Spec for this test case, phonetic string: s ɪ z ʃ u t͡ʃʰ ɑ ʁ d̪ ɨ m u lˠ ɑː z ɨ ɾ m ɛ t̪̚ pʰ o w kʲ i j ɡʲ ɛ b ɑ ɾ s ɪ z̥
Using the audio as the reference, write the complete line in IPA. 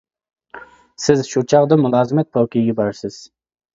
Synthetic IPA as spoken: s ɪ z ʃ u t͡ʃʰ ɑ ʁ d̪ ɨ m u lˠ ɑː z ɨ m ɛ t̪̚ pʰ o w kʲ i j ɡʲ ɛ b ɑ ɾ s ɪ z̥